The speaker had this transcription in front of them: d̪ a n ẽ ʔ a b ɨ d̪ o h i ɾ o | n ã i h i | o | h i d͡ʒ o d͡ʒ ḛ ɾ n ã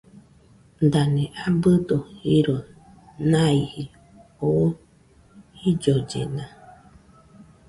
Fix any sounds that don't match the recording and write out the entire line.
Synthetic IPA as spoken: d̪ a n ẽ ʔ a b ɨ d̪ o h i ɾ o | n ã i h i | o | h i d͡ʒ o d͡ʒ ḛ n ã